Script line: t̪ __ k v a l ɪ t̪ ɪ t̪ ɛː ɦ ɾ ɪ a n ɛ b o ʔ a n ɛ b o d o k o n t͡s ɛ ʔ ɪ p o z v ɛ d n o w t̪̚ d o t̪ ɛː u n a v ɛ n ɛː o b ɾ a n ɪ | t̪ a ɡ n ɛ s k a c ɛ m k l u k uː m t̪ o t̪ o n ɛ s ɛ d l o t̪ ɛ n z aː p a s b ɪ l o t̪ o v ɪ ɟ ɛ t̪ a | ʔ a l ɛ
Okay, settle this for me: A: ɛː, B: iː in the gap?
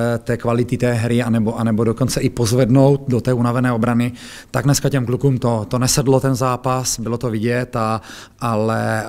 A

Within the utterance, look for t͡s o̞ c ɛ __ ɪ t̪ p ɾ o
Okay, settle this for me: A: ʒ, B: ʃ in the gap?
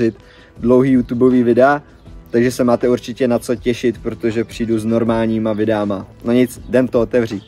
B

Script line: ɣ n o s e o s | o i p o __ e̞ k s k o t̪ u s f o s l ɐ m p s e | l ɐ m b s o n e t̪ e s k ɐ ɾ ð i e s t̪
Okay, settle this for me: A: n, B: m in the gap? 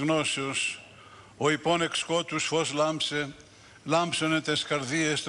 A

